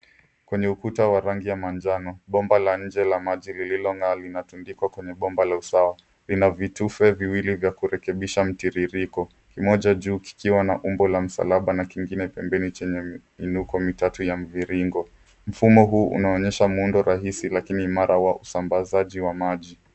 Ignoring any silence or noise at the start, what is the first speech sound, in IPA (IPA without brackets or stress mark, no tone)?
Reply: k